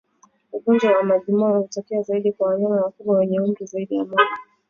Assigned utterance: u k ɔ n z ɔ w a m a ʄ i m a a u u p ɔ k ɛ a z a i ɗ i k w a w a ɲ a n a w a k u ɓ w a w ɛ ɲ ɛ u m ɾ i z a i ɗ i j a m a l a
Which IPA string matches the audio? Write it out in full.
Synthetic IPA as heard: u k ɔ n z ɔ w a m a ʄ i m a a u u t ɔ k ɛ a z a i ɗ i k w a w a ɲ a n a w a k u ɓ w a w ɛ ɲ ɛ u m ɾ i z a i ɗ i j a m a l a